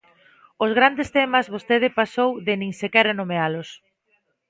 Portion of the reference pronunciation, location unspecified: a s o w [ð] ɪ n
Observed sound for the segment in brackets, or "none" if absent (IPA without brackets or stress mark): ð